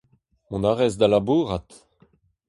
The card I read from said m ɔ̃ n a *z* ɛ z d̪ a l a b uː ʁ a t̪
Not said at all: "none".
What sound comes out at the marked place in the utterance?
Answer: ʁ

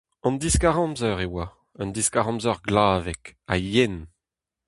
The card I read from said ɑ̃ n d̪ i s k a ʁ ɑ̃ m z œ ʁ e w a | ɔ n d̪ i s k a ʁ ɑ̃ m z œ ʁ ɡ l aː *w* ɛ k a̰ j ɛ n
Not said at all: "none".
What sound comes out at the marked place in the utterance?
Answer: v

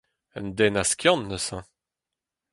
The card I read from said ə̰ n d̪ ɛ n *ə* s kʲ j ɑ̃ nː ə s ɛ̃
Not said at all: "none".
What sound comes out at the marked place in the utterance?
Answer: a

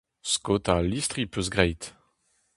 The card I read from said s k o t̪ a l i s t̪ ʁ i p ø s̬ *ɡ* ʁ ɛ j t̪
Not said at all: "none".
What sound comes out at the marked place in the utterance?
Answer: ɡ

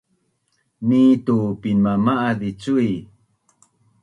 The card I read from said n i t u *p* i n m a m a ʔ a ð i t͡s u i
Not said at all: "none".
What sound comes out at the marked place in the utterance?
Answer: p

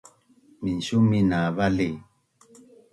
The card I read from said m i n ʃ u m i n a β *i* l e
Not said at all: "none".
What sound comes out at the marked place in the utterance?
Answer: a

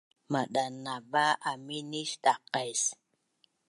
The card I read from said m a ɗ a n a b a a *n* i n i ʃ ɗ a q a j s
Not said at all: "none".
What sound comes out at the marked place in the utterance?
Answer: m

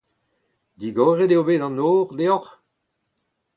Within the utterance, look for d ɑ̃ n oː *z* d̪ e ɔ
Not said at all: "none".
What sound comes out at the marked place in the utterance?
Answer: ʁ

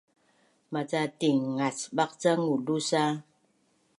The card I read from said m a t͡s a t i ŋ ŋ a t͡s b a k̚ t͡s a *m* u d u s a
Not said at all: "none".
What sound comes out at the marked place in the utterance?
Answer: ŋ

